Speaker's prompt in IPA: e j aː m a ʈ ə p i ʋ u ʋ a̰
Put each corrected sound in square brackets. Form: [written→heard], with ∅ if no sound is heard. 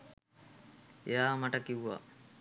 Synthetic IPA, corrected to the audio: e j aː m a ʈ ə [p→k] i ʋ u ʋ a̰